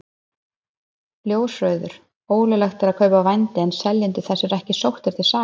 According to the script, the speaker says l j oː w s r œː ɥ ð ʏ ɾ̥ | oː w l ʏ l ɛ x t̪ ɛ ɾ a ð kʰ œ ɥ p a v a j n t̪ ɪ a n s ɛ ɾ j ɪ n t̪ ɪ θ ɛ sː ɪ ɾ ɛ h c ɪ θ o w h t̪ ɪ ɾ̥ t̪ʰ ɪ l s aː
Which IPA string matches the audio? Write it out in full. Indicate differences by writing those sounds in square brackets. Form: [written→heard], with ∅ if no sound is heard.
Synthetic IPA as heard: l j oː w s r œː ɥ ð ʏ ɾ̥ | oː w l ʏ l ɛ x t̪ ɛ ɾ a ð kʰ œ ɥ p a v a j n t̪ ɪ [a→ɛ] n s ɛ [ɾ→l] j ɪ n t̪ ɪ θ ɛ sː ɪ ɾ ɛ h c ɪ [θ→s] o w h t̪ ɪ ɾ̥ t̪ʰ ɪ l s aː